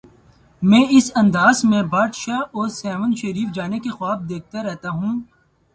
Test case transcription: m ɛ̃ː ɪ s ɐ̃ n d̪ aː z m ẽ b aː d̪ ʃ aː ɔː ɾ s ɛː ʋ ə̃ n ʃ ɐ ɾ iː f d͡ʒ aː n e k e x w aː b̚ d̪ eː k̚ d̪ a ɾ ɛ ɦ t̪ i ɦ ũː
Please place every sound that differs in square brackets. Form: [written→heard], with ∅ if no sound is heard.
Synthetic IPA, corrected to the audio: m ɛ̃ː ɪ s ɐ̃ n d̪ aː z m ẽ b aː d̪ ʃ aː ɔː ɾ s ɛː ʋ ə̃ n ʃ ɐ ɾ iː f d͡ʒ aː n e k e x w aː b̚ d̪ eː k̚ [d̪→t̪] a ɾ ɛ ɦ t̪ [i→a] ɦ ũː